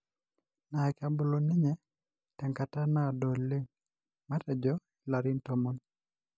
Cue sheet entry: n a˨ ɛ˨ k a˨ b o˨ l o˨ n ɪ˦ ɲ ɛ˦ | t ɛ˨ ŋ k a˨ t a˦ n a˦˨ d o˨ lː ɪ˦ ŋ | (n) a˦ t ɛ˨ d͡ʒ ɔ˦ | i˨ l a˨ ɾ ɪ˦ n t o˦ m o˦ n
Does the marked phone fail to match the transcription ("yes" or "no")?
yes